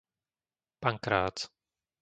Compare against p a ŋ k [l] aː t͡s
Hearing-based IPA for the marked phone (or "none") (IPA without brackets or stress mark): ɾ